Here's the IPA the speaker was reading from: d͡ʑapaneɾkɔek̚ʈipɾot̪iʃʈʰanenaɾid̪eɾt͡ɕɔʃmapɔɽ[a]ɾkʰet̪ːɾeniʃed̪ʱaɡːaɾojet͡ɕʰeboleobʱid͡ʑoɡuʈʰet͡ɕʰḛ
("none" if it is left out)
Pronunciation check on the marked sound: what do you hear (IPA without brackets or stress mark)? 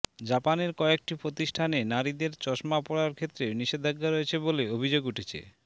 a